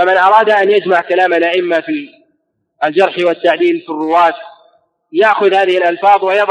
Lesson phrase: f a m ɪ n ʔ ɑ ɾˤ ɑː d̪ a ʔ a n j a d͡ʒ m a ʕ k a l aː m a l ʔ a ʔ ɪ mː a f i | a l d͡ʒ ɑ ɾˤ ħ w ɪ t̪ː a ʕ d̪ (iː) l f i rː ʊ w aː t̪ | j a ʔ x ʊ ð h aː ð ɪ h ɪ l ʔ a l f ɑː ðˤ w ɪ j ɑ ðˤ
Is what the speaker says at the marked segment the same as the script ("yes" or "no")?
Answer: yes